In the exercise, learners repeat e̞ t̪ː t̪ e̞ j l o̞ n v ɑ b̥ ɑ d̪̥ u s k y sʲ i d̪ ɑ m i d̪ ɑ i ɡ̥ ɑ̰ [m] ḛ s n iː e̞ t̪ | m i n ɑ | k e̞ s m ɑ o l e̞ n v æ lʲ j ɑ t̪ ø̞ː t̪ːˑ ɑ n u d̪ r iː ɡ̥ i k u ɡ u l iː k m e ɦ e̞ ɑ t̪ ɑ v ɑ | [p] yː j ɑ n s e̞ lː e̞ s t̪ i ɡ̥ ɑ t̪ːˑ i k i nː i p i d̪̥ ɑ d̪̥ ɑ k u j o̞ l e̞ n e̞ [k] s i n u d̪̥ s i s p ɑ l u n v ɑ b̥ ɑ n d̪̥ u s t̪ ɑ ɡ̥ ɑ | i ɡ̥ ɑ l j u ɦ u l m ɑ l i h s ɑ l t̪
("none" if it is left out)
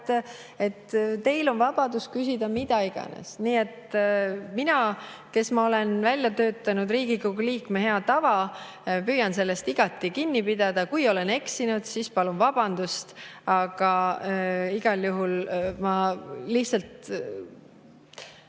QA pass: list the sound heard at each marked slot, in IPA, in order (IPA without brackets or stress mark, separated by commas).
n, p, k